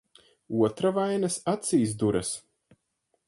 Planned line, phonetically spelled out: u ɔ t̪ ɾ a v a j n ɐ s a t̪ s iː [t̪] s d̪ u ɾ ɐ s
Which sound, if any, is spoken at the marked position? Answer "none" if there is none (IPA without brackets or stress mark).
none